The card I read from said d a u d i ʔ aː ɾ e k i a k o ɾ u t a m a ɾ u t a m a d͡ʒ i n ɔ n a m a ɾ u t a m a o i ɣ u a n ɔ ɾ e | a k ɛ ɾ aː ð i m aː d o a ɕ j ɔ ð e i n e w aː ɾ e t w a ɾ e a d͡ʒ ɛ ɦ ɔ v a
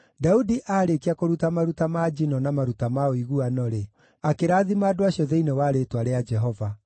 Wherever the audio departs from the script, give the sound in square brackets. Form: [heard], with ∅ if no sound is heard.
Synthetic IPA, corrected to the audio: d a u d i ʔ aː ɾ e k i a k o ɾ u t a m a ɾ u t a m a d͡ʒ i n ɔ n a m a ɾ u t a m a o i ɣ u a n ɔ ɾ e | a k [e] ɾ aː ð i m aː d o a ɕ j ɔ ð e i n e w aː ɾ e t w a ɾ e a d͡ʒ ɛ ɦ ɔ v a